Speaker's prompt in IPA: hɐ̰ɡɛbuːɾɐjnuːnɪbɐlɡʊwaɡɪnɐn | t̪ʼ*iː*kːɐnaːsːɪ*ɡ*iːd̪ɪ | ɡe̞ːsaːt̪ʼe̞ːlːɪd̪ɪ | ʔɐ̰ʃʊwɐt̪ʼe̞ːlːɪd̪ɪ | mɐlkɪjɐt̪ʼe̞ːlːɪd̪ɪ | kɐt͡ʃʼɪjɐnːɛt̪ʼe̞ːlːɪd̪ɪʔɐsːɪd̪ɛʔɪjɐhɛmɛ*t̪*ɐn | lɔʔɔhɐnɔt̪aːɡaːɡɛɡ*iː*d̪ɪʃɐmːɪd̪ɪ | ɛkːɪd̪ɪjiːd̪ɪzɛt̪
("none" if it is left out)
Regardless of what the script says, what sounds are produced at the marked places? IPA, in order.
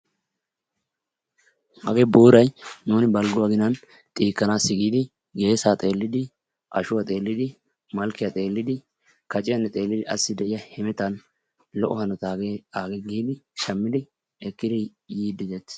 iː, ɡ, t̪, iː

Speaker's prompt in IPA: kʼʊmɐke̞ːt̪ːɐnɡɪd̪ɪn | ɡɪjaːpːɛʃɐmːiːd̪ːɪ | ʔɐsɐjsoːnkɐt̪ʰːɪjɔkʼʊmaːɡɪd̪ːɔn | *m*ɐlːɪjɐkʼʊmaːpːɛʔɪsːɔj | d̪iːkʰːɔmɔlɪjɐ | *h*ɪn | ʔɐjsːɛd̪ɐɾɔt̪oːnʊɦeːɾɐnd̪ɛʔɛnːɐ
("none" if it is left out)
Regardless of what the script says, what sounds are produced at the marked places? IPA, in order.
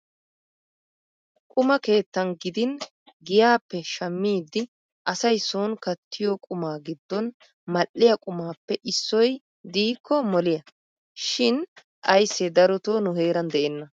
m, ʃ

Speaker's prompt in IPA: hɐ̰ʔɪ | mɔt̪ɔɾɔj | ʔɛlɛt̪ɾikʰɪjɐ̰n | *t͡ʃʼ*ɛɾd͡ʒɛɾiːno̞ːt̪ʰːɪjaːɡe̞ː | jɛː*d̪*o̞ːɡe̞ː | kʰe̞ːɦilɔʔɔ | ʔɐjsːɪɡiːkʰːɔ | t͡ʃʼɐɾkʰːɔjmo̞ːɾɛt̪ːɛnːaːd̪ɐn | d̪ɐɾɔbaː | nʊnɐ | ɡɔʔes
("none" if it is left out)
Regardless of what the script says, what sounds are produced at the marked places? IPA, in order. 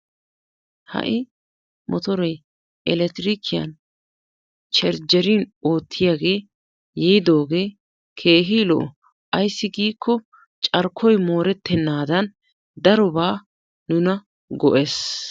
t͡ʃ, d̪

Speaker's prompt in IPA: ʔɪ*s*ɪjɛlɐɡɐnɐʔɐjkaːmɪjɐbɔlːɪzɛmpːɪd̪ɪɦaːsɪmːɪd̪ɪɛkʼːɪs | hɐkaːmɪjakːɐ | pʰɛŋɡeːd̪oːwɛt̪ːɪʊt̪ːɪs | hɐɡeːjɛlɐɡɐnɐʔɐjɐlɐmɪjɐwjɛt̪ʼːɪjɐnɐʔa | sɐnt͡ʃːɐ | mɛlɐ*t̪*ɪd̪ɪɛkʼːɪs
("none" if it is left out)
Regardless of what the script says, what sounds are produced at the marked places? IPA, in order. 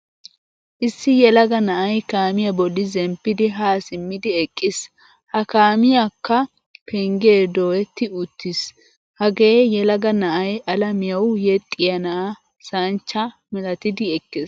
sː, t̪

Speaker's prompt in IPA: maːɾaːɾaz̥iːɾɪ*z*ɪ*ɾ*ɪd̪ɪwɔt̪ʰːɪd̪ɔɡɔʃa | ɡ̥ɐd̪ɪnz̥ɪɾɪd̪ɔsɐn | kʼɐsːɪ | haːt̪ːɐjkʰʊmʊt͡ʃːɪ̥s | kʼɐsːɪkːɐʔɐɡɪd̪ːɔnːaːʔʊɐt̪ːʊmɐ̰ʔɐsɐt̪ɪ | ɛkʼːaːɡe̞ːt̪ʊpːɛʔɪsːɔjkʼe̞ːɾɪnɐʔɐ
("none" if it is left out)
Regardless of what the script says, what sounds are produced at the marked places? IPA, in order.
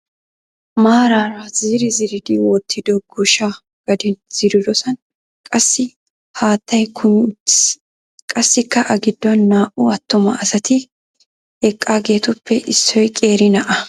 z, ɾ

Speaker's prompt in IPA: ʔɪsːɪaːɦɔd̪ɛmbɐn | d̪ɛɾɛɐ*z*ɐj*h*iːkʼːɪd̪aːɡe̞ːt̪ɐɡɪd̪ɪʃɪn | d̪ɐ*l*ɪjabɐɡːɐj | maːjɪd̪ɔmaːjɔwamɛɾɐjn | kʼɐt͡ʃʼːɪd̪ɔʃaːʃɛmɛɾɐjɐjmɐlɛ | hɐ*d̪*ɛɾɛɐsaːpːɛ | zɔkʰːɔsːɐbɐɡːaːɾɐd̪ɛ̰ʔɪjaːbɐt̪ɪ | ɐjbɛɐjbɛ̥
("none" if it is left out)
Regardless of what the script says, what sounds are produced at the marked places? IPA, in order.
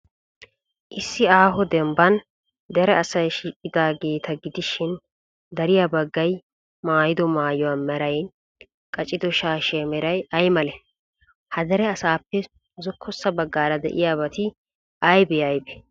s, ʃ, ɾ, d̪

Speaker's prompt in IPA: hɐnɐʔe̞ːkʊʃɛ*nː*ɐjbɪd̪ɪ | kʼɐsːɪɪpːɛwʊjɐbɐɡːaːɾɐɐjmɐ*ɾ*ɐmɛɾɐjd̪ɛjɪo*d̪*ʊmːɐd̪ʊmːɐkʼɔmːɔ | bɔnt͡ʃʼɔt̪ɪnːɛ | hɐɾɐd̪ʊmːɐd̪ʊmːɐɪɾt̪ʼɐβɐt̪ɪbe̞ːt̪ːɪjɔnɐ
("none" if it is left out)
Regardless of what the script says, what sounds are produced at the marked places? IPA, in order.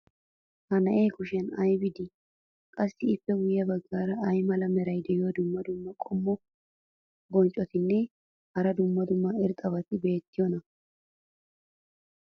n, l, d̪

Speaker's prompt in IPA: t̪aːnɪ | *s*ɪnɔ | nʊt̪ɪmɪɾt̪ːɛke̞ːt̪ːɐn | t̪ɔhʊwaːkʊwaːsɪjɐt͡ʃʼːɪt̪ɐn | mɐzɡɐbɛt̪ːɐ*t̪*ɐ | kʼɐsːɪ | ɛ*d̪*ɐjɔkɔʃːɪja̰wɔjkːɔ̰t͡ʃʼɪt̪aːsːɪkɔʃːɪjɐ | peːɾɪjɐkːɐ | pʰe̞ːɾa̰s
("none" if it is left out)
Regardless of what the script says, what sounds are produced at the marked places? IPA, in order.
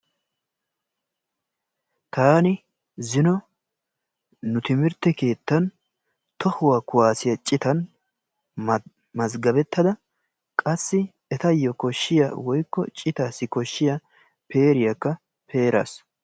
z, d̪, t̪

